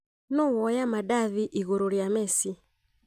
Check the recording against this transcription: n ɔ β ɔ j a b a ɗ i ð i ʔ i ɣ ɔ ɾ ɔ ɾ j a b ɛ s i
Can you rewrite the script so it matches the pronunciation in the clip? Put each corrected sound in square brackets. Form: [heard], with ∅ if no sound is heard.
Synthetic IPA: n ɔ [w] ɔ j a [m] a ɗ [a] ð i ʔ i ɣ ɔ ɾ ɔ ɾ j a [m] ɛ s i